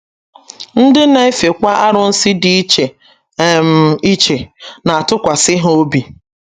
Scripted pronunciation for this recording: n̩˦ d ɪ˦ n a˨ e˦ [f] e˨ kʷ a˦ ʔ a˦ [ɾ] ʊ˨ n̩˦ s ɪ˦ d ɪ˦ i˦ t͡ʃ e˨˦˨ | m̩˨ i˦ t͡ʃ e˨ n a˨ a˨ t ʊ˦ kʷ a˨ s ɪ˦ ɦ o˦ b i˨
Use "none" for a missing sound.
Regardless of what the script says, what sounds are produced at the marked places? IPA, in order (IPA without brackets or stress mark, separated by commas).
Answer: f, ɾ